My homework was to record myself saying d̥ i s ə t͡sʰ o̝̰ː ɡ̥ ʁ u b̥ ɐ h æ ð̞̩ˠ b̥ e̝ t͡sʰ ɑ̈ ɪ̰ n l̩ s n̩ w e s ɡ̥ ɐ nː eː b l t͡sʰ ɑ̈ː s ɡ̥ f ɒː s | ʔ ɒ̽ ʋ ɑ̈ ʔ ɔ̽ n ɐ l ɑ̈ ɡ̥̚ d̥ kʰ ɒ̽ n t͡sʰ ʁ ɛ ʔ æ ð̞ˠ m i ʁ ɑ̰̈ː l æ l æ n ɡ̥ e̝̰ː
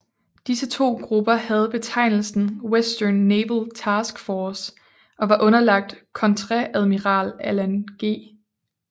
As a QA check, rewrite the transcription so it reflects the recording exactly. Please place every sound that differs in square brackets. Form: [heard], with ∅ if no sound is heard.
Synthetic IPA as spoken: d̥ i s ə t͡sʰ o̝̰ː ɡ̥ ʁ u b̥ ɐ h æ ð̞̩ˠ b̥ e̝ t͡sʰ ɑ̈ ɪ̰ n l̩ s n̩ w e s [d̥] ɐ nː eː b l t͡sʰ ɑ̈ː s ɡ̥ f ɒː s | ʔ ɒ̽ ʋ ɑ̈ ʔ ɔ̽ n ɐ l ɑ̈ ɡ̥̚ d̥ kʰ ɒ̽ n t͡sʰ ʁ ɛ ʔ æ ð̞ˠ m i ʁ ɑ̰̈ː l æ l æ n ɡ̥ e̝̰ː